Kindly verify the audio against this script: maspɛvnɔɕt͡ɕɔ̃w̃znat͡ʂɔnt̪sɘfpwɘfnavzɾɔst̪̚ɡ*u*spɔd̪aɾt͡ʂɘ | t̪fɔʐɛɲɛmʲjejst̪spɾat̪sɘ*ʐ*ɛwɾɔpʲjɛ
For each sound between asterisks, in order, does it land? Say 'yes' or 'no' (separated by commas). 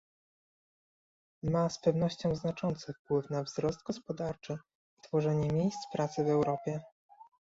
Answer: no, no